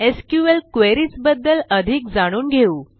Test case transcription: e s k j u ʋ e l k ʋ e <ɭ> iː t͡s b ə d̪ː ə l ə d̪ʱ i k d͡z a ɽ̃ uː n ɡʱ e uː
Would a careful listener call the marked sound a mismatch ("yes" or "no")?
yes